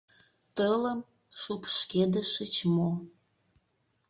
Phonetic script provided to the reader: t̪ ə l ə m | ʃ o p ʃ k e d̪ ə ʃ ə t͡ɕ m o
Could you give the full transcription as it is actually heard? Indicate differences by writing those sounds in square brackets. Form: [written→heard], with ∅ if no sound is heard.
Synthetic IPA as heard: t̪ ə l ə m | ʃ [o→u] p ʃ k e d̪ ə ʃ ə t͡ɕ m o